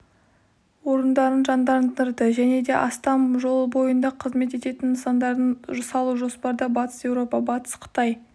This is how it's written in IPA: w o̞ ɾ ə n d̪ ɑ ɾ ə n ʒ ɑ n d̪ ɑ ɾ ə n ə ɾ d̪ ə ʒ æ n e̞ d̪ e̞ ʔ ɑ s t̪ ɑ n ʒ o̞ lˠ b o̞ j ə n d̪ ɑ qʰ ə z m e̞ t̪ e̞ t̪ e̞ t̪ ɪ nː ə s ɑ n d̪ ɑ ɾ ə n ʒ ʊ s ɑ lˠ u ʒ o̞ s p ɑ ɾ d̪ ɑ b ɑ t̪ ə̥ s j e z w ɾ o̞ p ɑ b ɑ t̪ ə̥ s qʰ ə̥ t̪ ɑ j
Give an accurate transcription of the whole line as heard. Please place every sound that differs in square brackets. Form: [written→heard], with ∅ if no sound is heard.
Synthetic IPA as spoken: w o̞ ɾ ə n d̪ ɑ ɾ ə n ʒ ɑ n d̪ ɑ ɾ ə n ə ɾ d̪ ə ʒ æ n e̞ d̪ e̞ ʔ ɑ s t̪ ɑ [n→m] ʒ o̞ lˠ b o̞ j ə n d̪ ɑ qʰ ə z m e̞ t̪ e̞ t̪ e̞ t̪ ɪ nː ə s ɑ n d̪ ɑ ɾ ə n ʒ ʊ s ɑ lˠ u ʒ o̞ s p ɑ ɾ d̪ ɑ b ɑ t̪ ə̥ s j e [z→∅] w ɾ o̞ p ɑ b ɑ t̪ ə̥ s qʰ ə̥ t̪ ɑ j

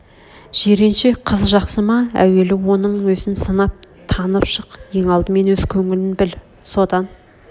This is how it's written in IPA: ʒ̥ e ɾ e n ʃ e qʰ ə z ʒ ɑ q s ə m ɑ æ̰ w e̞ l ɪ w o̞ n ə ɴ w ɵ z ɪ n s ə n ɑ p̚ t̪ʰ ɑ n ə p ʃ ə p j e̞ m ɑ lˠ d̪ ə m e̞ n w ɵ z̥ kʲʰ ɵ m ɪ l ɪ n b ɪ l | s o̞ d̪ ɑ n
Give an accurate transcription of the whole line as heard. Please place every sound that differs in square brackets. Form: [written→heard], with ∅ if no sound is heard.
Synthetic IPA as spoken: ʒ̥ e ɾ e n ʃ e qʰ ə z ʒ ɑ q s ə m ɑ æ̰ w e̞ l ɪ w o̞ n ə ɴ w ɵ z ɪ n s ə n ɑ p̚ t̪ʰ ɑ n ə p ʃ ə [p→q] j e̞ [m→ŋ] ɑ lˠ d̪ ə m e̞ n w ɵ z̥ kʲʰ ɵ [m→ŋ] ɪ l ɪ n b ɪ l | s o̞ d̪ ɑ n

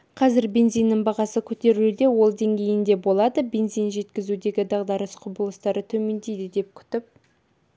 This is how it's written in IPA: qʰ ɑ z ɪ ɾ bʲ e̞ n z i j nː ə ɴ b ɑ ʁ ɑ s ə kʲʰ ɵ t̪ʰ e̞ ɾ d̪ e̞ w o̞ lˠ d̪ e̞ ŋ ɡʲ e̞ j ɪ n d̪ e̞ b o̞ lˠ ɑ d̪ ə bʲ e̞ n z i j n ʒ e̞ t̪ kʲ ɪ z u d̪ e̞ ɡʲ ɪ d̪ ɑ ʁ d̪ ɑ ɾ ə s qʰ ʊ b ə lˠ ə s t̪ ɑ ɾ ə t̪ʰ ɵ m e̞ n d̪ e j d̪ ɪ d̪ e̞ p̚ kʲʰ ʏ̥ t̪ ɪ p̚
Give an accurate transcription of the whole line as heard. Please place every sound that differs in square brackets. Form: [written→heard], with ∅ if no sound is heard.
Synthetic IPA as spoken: qʰ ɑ z ɪ ɾ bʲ e̞ n z i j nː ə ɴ b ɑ ʁ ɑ s ə kʲʰ ɵ [t̪ʰ→t̪] e̞ ɾ d̪ e̞ w o̞ lˠ d̪ e̞ ŋ ɡʲ e̞ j ɪ n d̪ e̞ b o̞ lˠ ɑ d̪ ə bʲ e̞ n z i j n ʒ e̞ t̪ kʲ ɪ z u d̪ e̞ ɡʲ ɪ d̪ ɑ ʁ d̪ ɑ ɾ ə s qʰ ʊ b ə lˠ ə s t̪ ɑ ɾ ə t̪ʰ ɵ m e̞ n d̪ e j d̪ ɪ d̪ e̞ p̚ kʲʰ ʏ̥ t̪ ɪ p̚

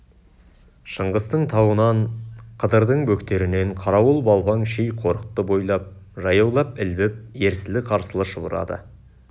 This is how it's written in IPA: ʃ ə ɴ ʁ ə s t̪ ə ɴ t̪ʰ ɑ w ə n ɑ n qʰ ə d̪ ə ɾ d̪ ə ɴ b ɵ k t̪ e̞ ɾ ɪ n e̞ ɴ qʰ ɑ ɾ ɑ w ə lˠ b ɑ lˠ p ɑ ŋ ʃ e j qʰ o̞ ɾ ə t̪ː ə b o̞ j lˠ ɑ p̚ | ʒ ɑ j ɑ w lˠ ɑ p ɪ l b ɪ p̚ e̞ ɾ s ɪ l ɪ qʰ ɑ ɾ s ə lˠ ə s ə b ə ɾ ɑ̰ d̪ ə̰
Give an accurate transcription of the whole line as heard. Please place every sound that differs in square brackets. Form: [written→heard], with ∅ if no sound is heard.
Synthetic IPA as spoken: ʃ ə ɴ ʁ ə s t̪ ə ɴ t̪ʰ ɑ w ə n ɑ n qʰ ə d̪ ə ɾ d̪ ə ɴ b ɵ k t̪ e̞ ɾ ɪ n e̞ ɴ qʰ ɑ ɾ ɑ w ə lˠ b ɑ lˠ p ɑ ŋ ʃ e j qʰ o̞ ɾ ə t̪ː ə b o̞ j lˠ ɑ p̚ | ʒ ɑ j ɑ w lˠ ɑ p ɪ l b ɪ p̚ e̞ ɾ s ɪ l ɪ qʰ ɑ ɾ s ə lˠ ə [s→ʃ] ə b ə ɾ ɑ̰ d̪ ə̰

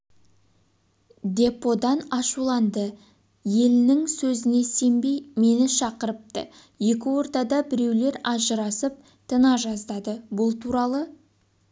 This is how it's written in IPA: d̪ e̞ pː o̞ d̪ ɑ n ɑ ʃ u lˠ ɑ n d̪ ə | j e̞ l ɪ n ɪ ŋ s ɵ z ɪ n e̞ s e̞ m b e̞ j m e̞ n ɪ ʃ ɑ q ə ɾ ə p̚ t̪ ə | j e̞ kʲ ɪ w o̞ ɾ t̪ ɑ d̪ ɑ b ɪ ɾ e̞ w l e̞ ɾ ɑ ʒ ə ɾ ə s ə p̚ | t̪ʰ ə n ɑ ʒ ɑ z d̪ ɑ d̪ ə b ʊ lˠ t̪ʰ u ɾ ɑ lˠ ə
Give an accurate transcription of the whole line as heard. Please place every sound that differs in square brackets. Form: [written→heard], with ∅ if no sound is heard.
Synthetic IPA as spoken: d̪ e̞ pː o̞ d̪ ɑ n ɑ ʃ u lˠ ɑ n d̪ ə | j e̞ l ɪ n ɪ ŋ s ɵ z ɪ n e̞ s e̞ m b e̞ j m e̞ n ɪ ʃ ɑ q ə ɾ ə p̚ t̪ ə | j e̞ kʲ ɪ w o̞ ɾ t̪ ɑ d̪ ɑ b ɪ ɾ e̞ w l e̞ ɾ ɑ ʒ ə ɾ [ə→ɑ] s ə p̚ | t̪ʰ ə n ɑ ʒ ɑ z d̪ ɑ d̪ ə b ʊ lˠ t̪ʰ u ɾ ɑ lˠ ə

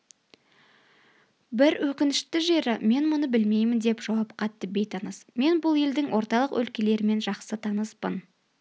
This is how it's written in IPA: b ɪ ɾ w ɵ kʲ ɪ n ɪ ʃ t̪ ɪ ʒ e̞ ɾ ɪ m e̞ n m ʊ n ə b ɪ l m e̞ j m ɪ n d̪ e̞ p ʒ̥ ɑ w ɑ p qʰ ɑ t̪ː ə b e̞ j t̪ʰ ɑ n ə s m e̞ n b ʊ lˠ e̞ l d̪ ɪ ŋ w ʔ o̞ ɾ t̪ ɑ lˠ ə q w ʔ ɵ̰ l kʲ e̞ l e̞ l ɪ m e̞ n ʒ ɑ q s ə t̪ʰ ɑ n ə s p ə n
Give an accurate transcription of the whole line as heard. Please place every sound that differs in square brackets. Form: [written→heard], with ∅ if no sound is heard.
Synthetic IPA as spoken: b ɪ ɾ w ɵ kʲ ɪ n ɪ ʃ t̪ ɪ ʒ e̞ ɾ ɪ m e̞ n m ʊ n ə b ɪ l m e̞ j m ɪ n d̪ e̞ p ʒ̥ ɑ w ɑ p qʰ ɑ t̪ː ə b e̞ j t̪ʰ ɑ n ə s m e̞ n b ʊ lˠ e̞ l d̪ ɪ ŋ w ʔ o̞ ɾ t̪ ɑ lˠ ə q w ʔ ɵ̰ l kʲ e̞ l e̞ [l→ɾ] ɪ m e̞ n ʒ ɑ q s ə t̪ʰ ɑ n ə s p ə n

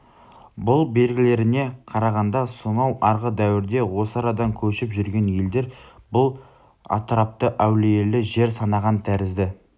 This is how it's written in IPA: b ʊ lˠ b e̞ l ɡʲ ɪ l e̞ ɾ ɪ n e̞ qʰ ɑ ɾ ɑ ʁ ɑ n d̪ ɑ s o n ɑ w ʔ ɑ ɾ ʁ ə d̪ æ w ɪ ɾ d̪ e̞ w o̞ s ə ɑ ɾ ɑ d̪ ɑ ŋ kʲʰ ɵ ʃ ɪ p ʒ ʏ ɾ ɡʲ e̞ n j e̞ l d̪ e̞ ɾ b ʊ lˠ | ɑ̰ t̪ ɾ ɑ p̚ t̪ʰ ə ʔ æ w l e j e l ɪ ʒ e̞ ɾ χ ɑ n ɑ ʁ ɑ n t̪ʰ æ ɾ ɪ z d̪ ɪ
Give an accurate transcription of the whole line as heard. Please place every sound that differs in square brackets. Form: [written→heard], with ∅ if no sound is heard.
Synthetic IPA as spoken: b ʊ lˠ b e̞ l ɡʲ ɪ l e̞ ɾ ɪ n e̞ qʰ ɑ ɾ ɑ ʁ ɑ n d̪ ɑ s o n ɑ w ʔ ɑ ɾ ʁ ə d̪ æ w ɪ ɾ d̪ e̞ w o̞ s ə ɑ ɾ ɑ d̪ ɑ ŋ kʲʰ ɵ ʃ ɪ p ʒ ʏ ɾ ɡʲ e̞ n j e̞ l d̪ e̞ ɾ b ʊ lˠ | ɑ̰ t̪ ɾ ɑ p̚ [t̪ʰ→t̪] ə ʔ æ w l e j e l ɪ ʒ e̞ ɾ [χ→s] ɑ n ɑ ʁ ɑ n t̪ʰ æ ɾ ɪ z d̪ ɪ

